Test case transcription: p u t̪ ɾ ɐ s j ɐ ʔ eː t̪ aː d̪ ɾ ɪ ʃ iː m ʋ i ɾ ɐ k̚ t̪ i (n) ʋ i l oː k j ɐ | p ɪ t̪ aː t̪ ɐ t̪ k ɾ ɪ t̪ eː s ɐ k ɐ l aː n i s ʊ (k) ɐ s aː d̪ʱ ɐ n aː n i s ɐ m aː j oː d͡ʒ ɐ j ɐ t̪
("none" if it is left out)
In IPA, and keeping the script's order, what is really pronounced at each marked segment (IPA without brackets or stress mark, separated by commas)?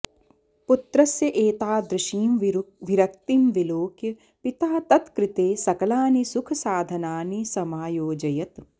m, kʰ